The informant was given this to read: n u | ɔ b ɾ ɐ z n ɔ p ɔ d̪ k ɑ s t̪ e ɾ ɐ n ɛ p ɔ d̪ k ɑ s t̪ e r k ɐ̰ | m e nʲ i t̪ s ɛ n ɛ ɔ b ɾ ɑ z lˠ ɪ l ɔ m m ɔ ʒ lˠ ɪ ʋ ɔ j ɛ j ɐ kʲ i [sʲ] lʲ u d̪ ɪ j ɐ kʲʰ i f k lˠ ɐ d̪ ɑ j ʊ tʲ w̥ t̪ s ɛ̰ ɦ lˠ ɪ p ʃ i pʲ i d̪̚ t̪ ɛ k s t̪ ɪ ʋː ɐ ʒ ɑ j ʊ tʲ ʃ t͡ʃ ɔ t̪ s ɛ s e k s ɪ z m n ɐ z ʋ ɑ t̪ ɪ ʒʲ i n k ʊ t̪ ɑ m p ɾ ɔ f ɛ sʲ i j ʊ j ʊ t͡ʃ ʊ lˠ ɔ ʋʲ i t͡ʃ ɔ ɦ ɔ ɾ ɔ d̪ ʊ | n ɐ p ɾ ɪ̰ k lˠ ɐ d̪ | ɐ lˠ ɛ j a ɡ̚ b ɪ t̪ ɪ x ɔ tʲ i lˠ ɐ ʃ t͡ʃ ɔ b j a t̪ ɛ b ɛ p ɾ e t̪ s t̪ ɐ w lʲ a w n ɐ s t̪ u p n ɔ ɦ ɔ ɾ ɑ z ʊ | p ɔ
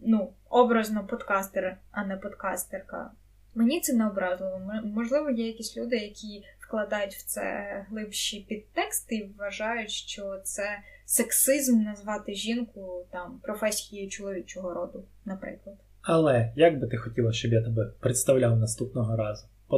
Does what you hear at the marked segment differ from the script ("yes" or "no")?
no